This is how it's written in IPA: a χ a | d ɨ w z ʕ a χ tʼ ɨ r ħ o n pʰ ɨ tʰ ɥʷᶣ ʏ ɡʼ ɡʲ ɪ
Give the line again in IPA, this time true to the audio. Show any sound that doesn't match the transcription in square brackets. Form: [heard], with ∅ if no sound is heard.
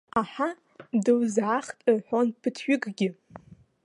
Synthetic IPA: a [ħ] a | d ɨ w z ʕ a χ tʼ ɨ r ħ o n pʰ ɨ tʰ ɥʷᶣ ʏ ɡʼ ɡʲ ɪ